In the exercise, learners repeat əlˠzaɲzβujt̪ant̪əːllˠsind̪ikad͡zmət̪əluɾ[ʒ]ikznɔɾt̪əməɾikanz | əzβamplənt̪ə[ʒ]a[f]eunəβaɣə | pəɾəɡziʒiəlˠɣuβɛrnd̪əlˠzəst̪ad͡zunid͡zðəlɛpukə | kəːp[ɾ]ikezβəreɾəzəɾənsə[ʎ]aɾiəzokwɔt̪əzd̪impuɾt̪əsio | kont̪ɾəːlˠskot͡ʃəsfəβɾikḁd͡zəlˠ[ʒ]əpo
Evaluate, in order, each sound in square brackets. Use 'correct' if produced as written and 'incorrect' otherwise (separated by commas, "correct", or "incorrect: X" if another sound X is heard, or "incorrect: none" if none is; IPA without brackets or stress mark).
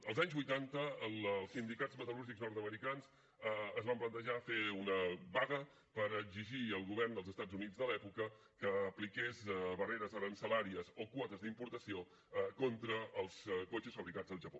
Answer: correct, correct, correct, incorrect: l, incorrect: l, correct